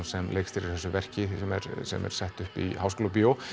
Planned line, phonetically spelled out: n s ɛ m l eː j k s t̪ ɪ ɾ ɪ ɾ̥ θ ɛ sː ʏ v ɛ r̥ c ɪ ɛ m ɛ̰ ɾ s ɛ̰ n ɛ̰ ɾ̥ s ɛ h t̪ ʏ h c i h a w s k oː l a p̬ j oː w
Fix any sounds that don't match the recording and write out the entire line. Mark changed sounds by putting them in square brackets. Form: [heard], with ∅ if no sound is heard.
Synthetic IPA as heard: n s ɛ m l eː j k s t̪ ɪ ɾ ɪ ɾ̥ θ ɛ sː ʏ v ɛ r̥ c ɪ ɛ m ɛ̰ ɾ s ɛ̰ [m] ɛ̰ ɾ̥ s ɛ h t̪ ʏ h [p] i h a w s k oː l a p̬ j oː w